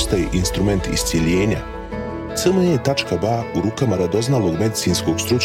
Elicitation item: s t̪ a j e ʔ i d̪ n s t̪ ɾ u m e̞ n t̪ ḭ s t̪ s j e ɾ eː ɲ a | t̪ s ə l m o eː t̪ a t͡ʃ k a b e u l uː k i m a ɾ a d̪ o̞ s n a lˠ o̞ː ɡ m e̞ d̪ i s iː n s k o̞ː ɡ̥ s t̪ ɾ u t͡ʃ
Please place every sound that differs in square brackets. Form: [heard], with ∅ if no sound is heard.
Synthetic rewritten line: s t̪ a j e ʔ i [∅] n s t̪ ɾ u m e̞ n t̪ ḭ s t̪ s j e [ʎ] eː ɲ a | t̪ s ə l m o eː t̪ a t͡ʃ k a b [a] u [ɾ] uː k [a] m a ɾ a d̪ o̞ [z] n a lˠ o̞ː ɡ m e̞ d̪ i s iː n s k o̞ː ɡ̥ s t̪ ɾ u t͡ʃ